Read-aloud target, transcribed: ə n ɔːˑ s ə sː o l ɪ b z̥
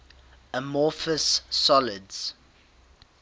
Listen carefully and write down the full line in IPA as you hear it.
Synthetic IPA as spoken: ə m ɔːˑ f ə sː ɔ l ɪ d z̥